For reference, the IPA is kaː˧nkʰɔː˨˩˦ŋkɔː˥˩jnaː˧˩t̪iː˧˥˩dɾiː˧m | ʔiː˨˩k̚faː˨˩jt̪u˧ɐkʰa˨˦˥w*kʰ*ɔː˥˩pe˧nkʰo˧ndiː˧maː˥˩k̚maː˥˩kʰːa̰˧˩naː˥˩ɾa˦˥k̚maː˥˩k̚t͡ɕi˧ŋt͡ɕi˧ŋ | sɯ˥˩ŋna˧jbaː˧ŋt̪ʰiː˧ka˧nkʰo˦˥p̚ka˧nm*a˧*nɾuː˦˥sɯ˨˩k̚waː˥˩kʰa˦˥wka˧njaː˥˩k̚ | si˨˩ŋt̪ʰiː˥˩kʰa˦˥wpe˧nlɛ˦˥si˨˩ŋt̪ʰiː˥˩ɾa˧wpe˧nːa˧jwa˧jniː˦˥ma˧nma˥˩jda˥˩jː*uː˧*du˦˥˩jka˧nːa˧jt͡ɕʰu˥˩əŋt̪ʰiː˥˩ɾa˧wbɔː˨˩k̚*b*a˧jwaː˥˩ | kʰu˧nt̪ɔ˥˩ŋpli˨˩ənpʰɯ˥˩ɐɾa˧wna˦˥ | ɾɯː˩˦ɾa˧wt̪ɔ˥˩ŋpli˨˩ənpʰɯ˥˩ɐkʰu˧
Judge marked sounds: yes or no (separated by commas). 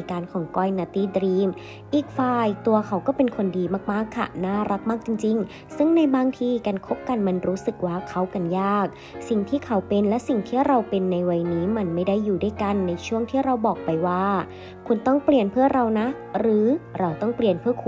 no, yes, no, no